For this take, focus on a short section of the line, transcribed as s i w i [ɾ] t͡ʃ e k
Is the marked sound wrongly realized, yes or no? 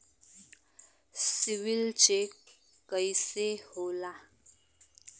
yes